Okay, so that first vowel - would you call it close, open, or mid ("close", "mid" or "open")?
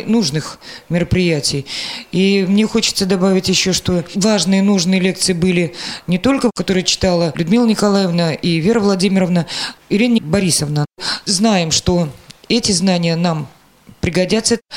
close